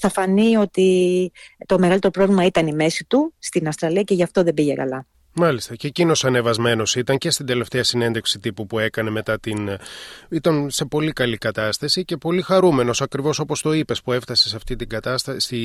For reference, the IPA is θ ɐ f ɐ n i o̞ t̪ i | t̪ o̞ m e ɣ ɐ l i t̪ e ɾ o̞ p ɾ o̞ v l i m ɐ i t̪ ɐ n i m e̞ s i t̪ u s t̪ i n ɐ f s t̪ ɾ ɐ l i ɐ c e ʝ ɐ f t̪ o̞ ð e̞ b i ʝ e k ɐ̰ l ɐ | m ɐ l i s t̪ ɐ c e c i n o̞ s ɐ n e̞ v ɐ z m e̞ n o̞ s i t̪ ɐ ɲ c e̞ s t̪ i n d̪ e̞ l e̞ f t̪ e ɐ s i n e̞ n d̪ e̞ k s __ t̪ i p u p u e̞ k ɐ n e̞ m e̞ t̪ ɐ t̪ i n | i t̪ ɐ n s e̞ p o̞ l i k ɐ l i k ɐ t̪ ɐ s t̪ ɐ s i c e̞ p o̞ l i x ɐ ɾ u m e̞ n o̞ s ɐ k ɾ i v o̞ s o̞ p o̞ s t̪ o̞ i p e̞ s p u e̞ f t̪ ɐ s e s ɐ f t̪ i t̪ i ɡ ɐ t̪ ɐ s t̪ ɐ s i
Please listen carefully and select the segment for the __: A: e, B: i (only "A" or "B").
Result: B